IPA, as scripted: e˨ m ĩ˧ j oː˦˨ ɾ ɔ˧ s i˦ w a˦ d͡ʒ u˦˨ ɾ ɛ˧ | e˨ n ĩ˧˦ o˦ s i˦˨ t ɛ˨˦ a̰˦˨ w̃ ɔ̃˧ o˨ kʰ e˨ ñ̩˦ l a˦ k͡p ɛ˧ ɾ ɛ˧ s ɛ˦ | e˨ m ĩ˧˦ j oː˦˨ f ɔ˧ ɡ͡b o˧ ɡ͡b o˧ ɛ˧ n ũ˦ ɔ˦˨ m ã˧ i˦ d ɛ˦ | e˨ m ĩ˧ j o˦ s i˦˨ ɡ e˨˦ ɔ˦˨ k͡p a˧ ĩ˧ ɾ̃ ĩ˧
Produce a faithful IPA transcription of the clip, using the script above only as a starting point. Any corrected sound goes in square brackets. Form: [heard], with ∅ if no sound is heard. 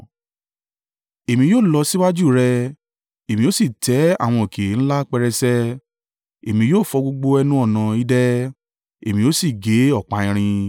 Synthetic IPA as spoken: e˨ m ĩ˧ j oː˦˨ [l] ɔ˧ s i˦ w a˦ d͡ʒ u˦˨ ɾ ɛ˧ | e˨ [m] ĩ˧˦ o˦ s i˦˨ t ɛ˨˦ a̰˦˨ w̃ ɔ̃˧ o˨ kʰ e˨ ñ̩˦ l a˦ k͡p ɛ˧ ɾ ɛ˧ s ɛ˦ | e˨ m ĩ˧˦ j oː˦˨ f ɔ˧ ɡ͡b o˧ ɡ͡b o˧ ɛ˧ n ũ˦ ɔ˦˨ [n] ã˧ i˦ d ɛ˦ | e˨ m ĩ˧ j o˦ s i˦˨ ɡ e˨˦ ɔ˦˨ k͡p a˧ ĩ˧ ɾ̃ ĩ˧